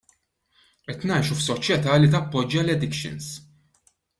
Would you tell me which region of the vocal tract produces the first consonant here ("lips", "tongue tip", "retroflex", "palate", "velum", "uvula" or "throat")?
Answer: throat